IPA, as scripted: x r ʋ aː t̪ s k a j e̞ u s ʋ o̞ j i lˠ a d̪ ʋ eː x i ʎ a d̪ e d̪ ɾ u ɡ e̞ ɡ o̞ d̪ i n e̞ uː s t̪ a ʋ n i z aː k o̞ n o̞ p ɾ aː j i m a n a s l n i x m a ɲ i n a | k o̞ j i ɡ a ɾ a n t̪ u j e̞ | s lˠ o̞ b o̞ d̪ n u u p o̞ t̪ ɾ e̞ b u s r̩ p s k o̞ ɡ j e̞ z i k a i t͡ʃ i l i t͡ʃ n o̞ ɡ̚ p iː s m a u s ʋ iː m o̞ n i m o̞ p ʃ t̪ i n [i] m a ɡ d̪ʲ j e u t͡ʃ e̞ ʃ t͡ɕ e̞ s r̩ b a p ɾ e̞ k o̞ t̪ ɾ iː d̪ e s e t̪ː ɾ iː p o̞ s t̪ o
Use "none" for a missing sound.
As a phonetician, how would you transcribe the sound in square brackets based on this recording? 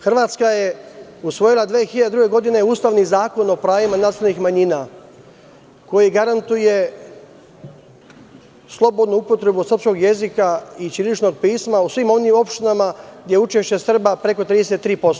a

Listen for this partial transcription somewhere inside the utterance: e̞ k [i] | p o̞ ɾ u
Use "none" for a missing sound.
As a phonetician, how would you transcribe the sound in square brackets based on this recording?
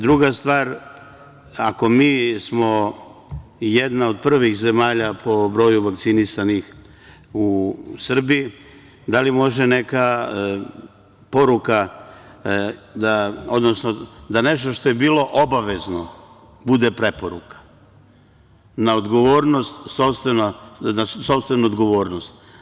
a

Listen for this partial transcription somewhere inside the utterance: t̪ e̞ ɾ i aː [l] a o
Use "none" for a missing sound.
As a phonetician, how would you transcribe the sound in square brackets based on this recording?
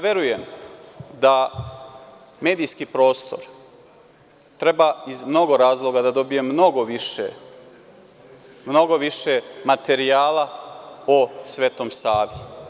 l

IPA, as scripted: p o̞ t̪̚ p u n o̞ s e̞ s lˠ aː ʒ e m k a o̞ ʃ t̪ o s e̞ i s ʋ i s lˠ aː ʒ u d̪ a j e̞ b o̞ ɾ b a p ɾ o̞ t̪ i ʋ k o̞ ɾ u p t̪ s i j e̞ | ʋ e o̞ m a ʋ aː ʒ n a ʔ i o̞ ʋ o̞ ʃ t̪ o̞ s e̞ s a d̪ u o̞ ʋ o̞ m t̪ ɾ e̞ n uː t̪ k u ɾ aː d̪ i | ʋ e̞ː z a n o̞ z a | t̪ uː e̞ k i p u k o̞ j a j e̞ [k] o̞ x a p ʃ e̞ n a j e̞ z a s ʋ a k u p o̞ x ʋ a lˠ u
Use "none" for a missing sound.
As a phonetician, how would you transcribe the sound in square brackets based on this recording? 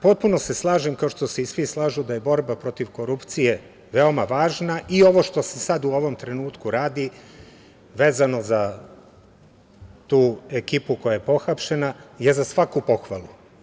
p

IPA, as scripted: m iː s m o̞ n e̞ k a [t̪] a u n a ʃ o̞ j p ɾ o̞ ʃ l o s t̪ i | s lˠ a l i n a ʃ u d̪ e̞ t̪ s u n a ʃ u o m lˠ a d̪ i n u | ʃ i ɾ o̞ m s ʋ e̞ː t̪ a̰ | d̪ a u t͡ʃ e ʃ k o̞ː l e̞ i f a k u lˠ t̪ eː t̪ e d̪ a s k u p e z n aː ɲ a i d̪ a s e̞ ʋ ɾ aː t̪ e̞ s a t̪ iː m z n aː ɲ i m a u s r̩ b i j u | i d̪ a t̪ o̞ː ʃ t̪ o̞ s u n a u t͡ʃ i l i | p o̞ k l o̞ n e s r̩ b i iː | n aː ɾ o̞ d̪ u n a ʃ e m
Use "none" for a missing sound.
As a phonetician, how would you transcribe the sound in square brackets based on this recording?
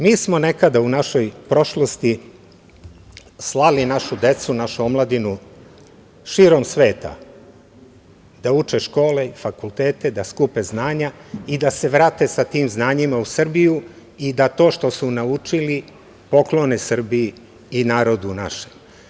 d̪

